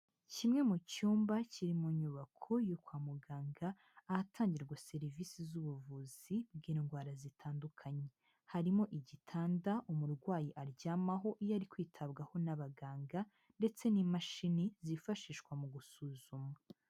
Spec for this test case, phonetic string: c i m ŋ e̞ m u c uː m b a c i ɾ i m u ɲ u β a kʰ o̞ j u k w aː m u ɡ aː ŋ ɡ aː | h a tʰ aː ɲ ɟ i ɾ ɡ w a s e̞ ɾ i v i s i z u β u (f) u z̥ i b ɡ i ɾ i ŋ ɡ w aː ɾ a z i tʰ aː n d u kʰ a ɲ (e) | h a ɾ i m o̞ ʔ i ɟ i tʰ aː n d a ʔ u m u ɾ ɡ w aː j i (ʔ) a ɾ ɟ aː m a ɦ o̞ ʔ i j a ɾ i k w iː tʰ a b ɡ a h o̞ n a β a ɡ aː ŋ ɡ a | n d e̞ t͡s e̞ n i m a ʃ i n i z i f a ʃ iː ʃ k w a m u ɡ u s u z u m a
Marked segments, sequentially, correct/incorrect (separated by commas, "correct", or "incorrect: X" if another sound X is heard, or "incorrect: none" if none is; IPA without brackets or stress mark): incorrect: v, correct, correct